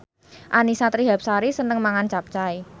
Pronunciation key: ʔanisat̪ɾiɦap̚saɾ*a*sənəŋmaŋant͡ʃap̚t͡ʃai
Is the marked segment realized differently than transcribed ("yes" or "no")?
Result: yes